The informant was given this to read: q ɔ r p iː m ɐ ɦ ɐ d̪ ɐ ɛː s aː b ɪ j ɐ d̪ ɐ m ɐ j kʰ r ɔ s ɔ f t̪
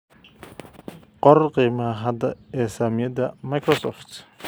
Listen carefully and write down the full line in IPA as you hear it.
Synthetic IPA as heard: q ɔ r q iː m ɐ ɦ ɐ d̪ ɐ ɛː s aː m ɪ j ɐ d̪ ɐ m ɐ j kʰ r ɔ s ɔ f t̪